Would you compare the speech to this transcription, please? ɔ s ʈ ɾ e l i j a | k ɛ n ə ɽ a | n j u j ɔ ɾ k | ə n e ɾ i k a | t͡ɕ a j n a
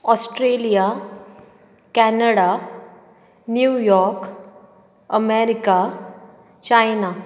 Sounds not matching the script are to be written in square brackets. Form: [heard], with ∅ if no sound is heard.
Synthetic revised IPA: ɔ s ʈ ɾ e l i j a | k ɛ n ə ɽ a | n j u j ɔ ɾ k | ə [m] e ɾ i k a | t͡ɕ a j n a